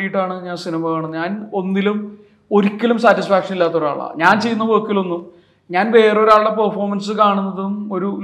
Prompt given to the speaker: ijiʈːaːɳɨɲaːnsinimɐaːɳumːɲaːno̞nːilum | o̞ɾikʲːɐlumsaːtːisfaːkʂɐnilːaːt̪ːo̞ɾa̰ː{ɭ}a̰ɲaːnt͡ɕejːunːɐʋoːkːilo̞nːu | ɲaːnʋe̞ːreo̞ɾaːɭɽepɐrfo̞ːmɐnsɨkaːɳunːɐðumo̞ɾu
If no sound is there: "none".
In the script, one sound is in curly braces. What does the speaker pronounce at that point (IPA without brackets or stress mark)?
ɭ